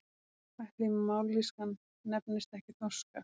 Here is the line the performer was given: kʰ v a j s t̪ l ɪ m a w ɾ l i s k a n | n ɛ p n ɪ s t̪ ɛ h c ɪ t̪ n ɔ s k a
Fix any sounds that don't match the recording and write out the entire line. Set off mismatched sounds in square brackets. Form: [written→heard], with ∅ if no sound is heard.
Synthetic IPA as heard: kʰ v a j [s→h] t̪ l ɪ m a w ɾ l i s k a n | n ɛ p n ɪ s t̪ ɛ h c ɪ t̪ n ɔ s k a